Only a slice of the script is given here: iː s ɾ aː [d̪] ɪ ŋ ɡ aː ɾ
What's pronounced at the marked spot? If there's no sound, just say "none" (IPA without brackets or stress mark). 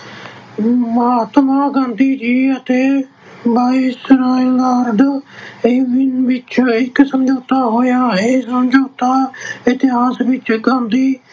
none